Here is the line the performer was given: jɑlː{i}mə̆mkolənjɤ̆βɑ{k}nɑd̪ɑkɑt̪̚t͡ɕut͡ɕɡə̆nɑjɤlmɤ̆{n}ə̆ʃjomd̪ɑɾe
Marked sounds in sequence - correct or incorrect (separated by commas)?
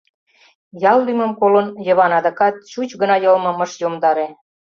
incorrect, incorrect, incorrect